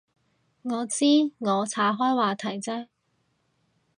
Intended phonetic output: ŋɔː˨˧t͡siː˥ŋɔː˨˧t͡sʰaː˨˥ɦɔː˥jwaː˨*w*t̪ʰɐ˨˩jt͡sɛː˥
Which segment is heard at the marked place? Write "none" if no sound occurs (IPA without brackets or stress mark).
none